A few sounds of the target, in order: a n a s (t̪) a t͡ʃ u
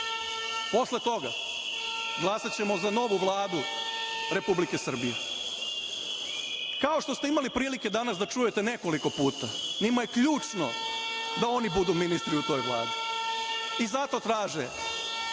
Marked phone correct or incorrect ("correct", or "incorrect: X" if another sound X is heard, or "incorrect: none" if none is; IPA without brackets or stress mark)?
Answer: incorrect: d̪